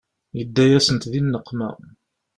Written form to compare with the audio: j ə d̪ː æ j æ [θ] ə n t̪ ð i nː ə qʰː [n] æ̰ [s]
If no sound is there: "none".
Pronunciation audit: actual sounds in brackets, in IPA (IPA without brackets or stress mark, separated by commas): s, m, none